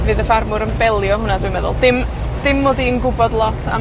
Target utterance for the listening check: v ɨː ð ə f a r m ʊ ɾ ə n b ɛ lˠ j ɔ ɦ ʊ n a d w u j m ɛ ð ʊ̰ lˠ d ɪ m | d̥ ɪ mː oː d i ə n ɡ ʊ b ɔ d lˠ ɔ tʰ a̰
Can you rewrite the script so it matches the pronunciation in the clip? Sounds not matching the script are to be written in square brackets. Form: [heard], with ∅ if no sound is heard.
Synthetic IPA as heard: v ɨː ð ə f a r m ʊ ɾ ə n b ɛ lˠ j ɔ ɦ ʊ n a d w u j m ɛ ð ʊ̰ lˠ d ɪ m | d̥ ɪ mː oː d i ə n ɡ ʊ b ɔ d lˠ ɔ tʰ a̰